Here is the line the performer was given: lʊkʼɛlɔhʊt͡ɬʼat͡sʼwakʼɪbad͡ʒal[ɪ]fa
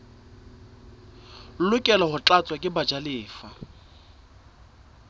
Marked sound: incorrect: ɪː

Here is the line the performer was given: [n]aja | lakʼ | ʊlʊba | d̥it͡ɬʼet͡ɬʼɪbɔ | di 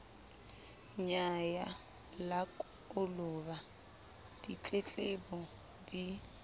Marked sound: incorrect: ɲ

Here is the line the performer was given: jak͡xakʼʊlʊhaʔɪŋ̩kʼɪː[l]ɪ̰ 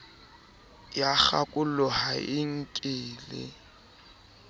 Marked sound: correct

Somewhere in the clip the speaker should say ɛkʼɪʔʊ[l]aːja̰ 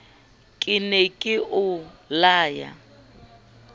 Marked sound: correct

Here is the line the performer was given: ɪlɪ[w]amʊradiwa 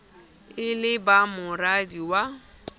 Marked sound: incorrect: b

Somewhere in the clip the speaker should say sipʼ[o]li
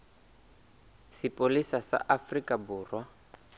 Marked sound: correct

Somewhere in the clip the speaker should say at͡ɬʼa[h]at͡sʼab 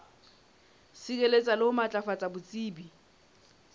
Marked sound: incorrect: f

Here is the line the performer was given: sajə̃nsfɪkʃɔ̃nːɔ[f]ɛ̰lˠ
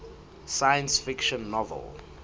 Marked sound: incorrect: v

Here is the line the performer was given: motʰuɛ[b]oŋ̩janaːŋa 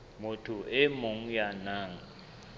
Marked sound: incorrect: m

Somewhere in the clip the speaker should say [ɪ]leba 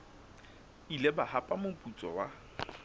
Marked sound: incorrect: i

